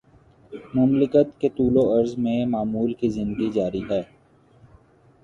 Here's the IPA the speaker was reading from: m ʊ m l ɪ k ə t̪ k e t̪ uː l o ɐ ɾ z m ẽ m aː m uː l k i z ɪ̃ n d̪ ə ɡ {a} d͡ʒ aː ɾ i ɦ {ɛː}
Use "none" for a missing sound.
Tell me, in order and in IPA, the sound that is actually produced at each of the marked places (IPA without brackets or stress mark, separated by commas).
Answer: i, ɛː